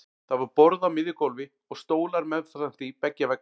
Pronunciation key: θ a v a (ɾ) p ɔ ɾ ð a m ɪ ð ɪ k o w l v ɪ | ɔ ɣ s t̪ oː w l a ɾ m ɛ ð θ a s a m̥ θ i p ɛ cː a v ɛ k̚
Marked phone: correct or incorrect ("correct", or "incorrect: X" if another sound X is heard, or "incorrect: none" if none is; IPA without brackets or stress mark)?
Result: correct